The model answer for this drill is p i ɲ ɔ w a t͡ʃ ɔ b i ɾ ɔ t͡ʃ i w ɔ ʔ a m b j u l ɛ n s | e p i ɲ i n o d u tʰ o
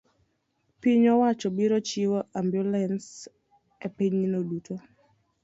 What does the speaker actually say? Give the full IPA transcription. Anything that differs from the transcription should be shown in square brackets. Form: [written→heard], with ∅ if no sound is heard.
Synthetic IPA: p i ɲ ɔ w a t͡ʃ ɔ b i ɾ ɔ t͡ʃ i w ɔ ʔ a m b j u l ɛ n s | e p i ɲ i n o d u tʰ o